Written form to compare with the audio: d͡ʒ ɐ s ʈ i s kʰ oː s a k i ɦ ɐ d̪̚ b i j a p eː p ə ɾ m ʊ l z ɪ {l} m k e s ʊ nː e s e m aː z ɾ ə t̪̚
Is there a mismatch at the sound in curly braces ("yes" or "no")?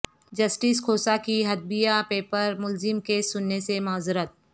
yes